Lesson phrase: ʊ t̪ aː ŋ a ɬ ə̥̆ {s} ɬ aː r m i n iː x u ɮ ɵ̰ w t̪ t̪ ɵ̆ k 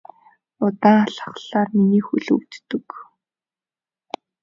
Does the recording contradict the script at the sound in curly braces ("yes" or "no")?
yes